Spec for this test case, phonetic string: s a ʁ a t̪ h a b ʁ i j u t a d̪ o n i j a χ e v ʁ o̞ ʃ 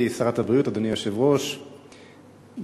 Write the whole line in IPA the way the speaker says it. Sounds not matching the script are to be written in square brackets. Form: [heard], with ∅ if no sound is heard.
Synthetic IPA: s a ʁ a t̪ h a b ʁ i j u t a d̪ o n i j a [ʃ] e v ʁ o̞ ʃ